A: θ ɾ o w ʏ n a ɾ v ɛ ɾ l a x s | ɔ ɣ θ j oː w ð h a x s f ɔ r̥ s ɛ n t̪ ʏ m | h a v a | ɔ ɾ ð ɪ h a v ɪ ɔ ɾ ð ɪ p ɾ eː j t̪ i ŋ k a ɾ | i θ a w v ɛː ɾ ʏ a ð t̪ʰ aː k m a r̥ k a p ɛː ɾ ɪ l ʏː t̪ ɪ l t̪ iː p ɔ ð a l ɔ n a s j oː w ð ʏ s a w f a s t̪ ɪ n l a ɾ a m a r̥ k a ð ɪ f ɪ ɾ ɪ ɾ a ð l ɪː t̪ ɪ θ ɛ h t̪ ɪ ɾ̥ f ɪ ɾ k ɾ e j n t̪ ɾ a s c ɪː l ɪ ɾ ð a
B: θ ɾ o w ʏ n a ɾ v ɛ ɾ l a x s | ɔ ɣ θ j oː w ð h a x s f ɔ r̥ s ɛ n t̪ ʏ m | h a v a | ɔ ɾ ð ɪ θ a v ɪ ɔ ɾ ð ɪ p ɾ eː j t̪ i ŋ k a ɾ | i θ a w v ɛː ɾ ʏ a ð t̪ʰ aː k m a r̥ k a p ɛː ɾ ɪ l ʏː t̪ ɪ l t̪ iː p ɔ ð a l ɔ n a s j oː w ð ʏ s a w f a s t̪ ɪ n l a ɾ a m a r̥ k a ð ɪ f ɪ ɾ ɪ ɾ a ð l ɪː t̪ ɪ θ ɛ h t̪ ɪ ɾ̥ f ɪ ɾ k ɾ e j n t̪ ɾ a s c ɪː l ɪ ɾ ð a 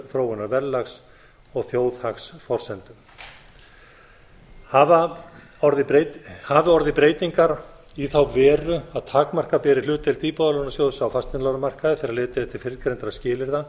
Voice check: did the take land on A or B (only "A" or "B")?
A